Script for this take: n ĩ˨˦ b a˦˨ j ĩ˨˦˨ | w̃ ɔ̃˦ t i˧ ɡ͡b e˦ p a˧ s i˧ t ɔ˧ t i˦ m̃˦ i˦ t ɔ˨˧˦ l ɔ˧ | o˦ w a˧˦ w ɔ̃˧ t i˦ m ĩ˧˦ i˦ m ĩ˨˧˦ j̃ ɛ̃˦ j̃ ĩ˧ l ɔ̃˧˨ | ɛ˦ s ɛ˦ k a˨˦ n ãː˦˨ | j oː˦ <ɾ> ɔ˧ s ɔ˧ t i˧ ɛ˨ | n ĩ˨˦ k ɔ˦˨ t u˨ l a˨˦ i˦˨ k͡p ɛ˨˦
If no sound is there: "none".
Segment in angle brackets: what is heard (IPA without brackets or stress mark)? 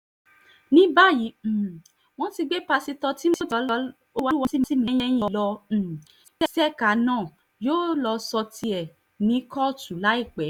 l